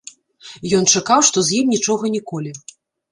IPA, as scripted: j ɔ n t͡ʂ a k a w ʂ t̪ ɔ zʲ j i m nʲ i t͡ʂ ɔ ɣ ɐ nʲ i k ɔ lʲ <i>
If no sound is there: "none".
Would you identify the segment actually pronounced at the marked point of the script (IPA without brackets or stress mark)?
i